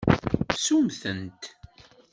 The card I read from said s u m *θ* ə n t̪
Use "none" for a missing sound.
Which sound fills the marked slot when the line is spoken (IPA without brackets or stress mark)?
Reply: θ